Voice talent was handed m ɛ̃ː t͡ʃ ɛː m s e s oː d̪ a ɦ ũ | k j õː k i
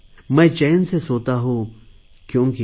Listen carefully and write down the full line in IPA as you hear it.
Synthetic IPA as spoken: m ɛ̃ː t͡ʃ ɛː n s e s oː t̪ a ɦ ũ | k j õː k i